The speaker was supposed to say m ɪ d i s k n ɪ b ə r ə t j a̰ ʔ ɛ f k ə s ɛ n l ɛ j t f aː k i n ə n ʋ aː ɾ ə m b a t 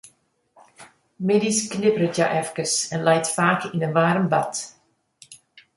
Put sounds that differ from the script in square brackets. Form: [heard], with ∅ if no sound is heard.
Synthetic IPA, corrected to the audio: m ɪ d i s k n ɪ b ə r ə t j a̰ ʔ ɛ f k ə s ɛ n l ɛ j t f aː k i n ə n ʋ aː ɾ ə m b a t